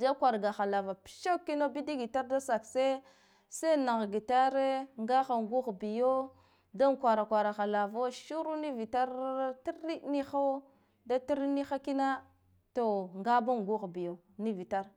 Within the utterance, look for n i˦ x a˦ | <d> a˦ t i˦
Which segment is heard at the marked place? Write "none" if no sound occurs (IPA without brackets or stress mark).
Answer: d